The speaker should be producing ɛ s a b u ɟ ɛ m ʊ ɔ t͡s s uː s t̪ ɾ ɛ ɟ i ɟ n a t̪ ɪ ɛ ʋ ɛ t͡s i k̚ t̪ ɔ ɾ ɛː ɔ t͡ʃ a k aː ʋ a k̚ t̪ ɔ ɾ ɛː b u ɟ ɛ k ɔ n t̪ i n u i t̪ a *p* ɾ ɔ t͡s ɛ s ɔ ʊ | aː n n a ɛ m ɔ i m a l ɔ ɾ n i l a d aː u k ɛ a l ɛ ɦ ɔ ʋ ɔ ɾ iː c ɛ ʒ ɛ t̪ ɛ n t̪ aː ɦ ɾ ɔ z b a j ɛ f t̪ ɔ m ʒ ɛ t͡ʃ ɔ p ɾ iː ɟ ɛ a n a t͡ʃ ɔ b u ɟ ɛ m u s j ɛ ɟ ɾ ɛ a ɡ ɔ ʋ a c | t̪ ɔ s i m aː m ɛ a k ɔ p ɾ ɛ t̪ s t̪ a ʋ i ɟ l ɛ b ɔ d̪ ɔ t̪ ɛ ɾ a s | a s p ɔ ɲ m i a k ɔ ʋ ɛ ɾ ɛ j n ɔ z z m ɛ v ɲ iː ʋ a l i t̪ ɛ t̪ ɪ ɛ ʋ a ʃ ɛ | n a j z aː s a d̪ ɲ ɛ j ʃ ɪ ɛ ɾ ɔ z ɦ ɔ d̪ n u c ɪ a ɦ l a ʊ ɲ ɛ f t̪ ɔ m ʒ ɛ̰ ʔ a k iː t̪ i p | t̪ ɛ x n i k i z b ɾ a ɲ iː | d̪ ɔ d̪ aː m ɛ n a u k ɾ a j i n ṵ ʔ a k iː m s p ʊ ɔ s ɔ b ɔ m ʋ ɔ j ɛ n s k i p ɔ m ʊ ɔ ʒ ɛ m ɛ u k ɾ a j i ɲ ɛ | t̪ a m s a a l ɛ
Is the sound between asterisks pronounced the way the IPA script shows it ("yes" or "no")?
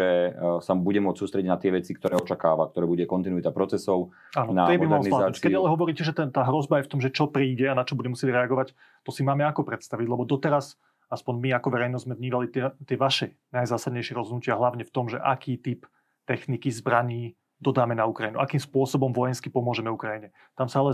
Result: yes